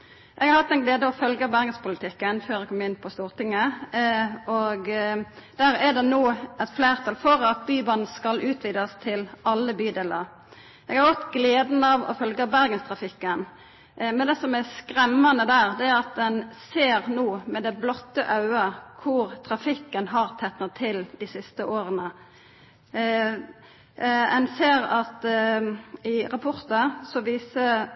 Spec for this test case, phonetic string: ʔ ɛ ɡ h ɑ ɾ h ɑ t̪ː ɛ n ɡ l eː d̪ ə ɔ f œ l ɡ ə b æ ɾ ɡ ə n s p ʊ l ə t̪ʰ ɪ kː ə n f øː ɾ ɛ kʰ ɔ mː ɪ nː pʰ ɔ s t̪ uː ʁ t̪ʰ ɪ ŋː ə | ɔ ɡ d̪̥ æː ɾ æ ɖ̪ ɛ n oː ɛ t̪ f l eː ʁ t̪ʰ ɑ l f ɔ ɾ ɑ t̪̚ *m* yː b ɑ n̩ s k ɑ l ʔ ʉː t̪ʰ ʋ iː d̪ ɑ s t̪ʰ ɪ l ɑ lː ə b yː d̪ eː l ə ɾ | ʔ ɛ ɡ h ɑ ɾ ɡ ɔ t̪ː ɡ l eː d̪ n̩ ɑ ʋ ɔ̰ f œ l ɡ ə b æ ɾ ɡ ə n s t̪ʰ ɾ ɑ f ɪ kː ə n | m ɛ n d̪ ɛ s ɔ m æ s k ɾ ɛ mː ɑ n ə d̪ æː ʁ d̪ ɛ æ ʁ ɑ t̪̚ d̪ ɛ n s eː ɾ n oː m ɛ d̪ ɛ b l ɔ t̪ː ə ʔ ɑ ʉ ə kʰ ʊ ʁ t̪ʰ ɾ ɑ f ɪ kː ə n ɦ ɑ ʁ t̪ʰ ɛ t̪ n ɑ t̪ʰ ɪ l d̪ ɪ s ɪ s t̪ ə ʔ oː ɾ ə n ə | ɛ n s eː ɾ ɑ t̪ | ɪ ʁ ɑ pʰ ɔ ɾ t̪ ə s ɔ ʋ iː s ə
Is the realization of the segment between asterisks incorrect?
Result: yes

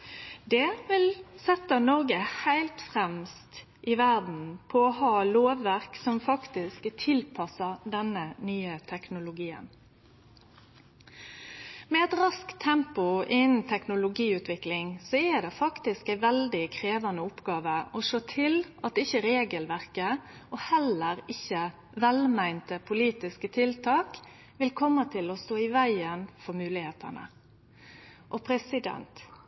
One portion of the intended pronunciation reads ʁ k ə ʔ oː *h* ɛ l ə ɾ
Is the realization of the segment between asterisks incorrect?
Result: no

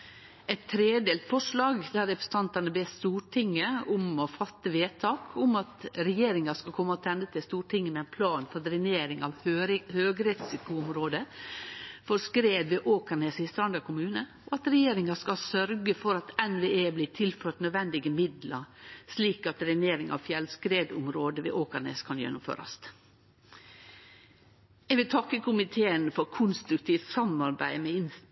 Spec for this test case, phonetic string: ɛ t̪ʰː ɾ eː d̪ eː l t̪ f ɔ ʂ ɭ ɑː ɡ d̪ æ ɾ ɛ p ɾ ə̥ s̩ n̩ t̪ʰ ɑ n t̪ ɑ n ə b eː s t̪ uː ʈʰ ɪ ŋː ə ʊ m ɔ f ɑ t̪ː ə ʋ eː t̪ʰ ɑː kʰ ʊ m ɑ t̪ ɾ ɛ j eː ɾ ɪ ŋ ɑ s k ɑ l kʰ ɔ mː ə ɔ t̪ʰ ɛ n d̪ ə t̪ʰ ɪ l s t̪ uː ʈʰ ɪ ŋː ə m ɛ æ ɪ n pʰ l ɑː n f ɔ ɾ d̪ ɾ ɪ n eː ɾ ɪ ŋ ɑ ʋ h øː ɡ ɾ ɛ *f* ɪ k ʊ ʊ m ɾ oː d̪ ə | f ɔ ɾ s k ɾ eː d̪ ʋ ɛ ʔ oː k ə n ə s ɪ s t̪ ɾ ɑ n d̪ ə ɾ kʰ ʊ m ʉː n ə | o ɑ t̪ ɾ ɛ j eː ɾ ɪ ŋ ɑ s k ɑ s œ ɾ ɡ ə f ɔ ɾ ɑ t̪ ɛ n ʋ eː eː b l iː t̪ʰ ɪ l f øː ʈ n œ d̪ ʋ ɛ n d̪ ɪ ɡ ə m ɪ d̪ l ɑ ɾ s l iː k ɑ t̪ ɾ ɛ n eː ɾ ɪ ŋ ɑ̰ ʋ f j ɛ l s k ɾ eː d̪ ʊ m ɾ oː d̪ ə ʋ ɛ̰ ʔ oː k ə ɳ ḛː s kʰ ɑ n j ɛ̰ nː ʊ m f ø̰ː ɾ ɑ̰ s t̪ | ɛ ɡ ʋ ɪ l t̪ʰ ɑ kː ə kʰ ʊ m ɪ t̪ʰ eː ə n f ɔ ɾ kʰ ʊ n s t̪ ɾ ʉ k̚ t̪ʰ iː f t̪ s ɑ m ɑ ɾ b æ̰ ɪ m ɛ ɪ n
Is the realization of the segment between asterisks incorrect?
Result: yes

